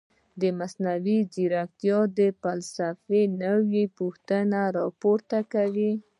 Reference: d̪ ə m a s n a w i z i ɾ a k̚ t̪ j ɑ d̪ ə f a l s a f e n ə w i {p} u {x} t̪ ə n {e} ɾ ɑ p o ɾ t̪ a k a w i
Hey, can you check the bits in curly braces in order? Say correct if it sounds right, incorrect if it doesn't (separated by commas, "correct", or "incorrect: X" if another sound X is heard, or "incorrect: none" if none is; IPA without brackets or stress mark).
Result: correct, correct, incorrect: a